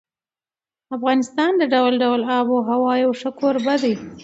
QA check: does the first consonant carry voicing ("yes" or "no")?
no